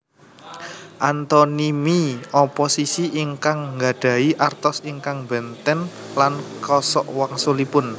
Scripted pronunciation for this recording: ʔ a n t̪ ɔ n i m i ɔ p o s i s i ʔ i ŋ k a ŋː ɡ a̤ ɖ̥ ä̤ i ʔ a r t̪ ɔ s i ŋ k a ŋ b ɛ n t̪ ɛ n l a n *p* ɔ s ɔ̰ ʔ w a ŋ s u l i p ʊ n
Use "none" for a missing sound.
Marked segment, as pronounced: k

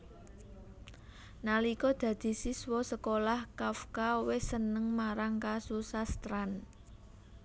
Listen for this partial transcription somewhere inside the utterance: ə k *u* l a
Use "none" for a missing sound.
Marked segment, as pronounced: o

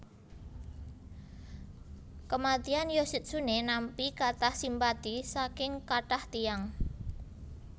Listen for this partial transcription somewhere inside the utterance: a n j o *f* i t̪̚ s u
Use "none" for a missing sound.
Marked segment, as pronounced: s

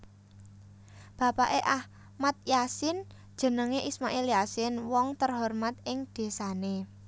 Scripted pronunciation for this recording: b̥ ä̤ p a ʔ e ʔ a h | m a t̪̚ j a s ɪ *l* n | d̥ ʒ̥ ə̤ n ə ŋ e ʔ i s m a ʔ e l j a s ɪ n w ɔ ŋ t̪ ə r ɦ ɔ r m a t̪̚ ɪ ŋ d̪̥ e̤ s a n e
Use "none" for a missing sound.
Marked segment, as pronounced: none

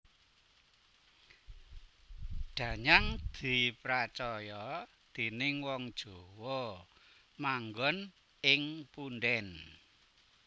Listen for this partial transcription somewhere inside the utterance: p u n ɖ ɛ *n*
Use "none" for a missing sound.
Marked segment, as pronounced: n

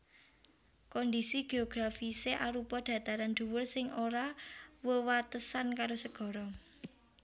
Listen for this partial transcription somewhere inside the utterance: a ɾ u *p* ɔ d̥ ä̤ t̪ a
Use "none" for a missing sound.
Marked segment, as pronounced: p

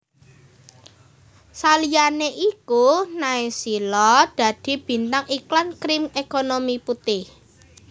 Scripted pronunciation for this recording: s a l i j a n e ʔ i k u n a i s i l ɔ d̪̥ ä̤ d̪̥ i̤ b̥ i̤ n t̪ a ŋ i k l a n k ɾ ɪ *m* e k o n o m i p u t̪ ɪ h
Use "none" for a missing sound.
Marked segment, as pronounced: m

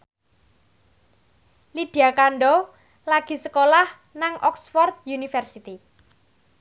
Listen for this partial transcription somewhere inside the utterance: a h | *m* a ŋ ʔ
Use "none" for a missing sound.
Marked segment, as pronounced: n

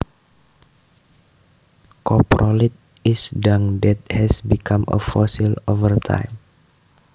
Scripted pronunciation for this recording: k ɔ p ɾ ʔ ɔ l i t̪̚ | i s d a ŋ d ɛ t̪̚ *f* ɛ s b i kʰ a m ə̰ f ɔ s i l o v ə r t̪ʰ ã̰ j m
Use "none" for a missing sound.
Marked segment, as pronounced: h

